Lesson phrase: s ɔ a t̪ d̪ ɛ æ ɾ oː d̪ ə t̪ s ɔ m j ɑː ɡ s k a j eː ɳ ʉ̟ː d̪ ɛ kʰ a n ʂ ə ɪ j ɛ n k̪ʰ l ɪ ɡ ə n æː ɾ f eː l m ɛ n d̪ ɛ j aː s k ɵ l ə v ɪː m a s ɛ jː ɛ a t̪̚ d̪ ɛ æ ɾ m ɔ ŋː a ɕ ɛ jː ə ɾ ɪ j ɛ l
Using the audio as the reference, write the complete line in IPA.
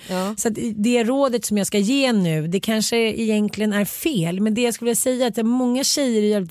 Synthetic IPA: s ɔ a t̪ d̪ ɛ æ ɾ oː d̪ ə t̪ s ɔ m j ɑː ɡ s k a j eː n ʉ̟ː d̪ ɛ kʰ a n ʂ ə ɪ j ɛ n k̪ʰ l ɪ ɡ ə n æ ɾ f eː l m ɛ n d̪ ɛ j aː s k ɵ l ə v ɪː a s ɛ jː a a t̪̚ d̪ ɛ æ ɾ m ɔ ŋː a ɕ ɛ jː ə ɾ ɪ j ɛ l